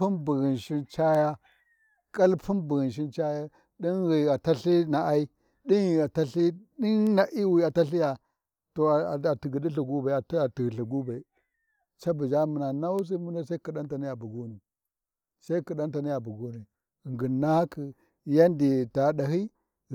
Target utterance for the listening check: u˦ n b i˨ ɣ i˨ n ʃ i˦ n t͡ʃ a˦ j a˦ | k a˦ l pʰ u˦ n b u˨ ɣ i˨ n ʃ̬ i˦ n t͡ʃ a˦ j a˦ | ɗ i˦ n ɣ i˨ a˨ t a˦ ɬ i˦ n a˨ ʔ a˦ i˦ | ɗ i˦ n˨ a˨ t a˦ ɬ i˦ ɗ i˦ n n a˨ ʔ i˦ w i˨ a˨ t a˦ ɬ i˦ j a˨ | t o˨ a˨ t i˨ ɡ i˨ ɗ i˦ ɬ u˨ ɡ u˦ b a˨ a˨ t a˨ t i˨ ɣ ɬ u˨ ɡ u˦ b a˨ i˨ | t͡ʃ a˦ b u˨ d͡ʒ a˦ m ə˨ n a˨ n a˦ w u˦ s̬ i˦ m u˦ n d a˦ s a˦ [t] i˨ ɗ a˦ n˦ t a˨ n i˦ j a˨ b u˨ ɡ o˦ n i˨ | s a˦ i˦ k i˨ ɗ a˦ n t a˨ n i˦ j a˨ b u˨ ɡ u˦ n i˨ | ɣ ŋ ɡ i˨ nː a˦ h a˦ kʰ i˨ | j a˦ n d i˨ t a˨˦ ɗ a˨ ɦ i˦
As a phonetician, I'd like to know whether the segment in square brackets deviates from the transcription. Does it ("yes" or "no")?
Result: yes